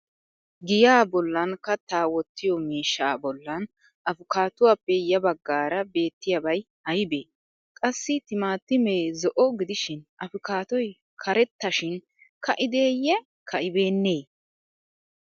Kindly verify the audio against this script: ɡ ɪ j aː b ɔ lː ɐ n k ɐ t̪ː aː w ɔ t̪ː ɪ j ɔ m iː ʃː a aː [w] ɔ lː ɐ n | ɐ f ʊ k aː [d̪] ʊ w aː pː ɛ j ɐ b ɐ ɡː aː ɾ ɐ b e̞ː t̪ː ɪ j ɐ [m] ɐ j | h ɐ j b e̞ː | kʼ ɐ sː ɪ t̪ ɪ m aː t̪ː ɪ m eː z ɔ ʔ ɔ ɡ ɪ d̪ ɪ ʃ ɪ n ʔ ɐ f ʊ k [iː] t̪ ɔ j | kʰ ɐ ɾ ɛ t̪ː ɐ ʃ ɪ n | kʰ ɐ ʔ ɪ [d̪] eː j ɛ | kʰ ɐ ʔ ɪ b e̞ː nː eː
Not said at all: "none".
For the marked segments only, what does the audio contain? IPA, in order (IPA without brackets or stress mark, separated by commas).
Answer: b, t̪, b, aː, d̪